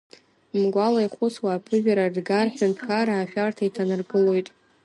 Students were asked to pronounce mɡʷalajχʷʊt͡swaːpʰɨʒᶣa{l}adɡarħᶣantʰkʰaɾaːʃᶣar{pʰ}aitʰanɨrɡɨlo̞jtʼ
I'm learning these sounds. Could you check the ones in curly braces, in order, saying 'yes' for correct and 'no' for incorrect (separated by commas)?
no, no